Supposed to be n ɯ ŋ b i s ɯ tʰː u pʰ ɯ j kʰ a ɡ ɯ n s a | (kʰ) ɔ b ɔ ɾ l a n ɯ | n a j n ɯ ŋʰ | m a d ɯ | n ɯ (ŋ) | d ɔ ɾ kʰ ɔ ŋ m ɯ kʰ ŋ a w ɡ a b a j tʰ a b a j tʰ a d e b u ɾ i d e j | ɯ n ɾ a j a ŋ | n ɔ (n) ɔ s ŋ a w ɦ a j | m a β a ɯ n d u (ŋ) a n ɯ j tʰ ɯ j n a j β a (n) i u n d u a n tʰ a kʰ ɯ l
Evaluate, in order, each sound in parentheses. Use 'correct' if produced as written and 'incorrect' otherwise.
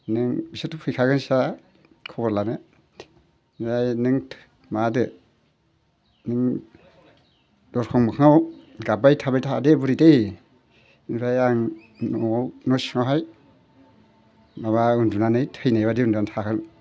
correct, correct, correct, incorrect: n, incorrect: d

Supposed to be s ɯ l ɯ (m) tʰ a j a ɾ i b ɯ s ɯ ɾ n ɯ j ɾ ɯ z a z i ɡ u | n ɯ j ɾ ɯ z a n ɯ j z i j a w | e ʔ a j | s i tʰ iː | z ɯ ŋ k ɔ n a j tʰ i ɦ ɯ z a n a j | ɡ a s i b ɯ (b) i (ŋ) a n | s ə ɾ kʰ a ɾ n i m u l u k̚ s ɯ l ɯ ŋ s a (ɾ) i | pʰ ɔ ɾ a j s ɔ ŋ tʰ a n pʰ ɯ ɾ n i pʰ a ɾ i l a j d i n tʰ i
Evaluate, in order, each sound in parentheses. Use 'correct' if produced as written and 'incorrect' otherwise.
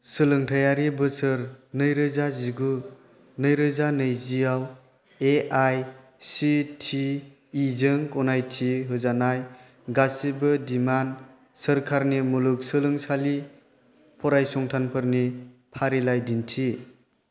incorrect: ŋ, incorrect: d, incorrect: m, incorrect: l

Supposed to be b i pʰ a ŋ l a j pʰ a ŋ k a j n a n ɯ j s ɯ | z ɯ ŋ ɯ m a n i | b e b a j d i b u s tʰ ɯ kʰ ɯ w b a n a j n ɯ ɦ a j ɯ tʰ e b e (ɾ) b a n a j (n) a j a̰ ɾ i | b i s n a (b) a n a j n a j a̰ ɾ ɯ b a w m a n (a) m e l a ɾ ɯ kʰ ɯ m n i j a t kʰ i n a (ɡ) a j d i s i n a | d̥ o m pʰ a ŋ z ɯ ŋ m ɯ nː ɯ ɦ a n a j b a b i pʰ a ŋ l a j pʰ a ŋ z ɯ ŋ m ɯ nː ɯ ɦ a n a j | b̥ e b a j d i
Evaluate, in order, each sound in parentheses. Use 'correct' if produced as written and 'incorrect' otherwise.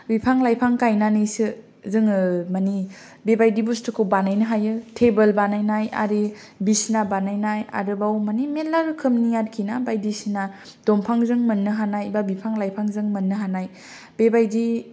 incorrect: l, correct, correct, incorrect: i, incorrect: b

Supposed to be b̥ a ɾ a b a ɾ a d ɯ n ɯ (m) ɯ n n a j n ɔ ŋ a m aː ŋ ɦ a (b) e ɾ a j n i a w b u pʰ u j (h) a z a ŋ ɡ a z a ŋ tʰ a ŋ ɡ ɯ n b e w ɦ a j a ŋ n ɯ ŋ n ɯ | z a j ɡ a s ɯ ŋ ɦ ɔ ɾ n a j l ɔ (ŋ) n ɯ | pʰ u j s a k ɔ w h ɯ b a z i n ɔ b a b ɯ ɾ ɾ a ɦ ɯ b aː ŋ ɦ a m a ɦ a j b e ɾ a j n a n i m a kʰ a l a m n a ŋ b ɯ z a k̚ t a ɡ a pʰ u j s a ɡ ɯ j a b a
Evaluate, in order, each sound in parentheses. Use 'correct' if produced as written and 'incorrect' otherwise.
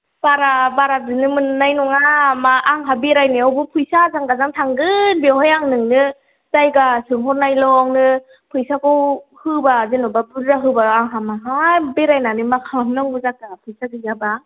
correct, correct, incorrect: s, correct

